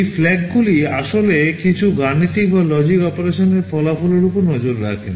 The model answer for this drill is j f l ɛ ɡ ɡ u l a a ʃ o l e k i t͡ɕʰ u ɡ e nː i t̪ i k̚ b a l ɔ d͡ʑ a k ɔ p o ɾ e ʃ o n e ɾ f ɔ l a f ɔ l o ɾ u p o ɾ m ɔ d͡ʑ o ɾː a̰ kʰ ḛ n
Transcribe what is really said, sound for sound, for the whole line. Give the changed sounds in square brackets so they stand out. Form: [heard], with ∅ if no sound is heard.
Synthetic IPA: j f l ɛ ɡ ɡ u l [i] a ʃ o l e k i t͡ɕʰ u ɡ [a] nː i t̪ i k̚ b a l ɔ d͡ʑ [i] k ɔ p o ɾ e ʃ o n e ɾ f ɔ l a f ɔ l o ɾ u p o ɾ [n] ɔ d͡ʑ o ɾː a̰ kʰ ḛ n